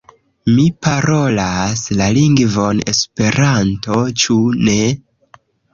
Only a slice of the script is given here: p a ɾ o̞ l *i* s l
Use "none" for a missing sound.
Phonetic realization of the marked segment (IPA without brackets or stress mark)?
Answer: a